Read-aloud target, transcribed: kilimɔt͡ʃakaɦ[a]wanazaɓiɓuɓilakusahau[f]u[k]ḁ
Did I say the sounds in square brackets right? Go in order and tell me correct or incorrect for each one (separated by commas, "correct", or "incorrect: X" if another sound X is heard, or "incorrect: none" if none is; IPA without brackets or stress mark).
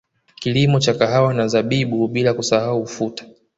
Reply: correct, correct, incorrect: t